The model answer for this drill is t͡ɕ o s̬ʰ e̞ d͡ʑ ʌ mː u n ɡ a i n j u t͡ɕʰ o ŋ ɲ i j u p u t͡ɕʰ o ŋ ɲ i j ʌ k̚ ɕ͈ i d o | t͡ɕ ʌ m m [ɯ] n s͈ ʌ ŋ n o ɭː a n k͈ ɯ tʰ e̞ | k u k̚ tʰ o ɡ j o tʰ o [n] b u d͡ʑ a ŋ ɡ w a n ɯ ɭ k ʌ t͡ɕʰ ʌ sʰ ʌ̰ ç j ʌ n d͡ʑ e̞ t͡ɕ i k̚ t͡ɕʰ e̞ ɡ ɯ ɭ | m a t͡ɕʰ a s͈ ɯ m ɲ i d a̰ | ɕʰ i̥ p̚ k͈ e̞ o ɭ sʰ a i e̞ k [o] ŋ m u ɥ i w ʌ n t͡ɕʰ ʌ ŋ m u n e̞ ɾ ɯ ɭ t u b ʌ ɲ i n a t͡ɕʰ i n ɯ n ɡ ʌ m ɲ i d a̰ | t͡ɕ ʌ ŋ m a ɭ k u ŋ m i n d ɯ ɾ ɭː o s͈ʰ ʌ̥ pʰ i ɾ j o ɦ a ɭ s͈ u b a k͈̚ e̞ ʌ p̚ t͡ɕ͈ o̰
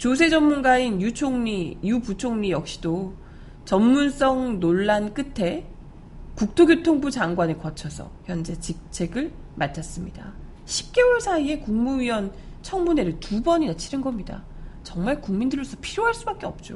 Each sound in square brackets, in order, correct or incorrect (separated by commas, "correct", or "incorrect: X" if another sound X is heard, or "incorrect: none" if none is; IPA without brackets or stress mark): incorrect: u, incorrect: ŋ, incorrect: u